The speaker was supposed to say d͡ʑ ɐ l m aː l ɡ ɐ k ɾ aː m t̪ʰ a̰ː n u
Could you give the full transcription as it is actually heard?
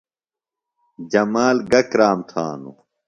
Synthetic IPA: d͡ʑ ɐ m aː l ɡ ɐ k ɾ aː m t̪ʰ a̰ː n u